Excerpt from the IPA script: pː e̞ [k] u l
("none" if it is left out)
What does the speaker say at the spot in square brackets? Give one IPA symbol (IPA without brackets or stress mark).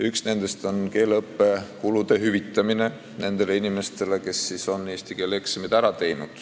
k